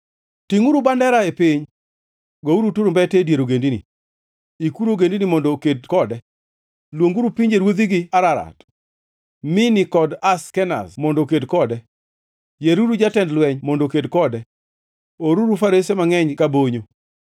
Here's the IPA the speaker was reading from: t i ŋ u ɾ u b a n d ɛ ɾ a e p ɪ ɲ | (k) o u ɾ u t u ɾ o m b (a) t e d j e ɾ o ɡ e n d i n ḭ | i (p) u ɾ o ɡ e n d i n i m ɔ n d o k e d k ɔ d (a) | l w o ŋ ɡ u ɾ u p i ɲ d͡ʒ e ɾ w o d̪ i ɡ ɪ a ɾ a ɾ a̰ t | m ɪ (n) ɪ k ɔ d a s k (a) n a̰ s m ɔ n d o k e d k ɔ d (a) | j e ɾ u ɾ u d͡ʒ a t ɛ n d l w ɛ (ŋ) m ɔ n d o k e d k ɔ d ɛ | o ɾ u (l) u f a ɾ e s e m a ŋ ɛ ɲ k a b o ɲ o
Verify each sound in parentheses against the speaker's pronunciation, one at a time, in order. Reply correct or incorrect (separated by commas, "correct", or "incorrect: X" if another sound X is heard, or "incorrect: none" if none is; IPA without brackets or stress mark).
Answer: incorrect: ɡ, incorrect: ɛ, incorrect: k, incorrect: ɛ, correct, incorrect: ɛ, incorrect: ɛ, incorrect: ɲ, incorrect: ɾ